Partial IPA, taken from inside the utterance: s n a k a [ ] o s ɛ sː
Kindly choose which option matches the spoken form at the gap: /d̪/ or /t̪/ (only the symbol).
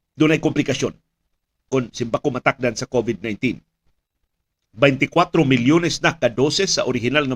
d̪